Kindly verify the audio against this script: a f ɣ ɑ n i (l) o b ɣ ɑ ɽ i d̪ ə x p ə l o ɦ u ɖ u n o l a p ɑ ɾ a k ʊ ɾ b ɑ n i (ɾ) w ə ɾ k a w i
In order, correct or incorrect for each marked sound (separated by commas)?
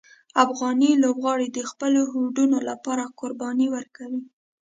correct, incorrect